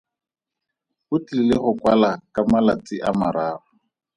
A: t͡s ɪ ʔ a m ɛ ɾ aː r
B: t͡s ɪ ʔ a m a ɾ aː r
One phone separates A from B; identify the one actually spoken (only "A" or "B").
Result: B